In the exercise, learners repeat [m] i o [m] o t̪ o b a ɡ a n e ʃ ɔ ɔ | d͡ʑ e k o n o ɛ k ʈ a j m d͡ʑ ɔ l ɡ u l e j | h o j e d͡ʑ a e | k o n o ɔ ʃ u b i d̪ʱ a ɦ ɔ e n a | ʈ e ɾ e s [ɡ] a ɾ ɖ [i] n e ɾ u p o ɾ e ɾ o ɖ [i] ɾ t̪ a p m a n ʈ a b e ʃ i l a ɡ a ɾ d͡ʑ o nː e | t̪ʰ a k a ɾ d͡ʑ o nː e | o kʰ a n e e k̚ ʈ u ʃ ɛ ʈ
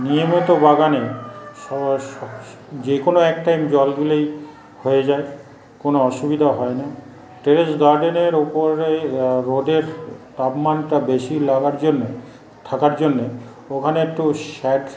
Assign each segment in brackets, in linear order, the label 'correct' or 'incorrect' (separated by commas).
incorrect, correct, correct, incorrect, incorrect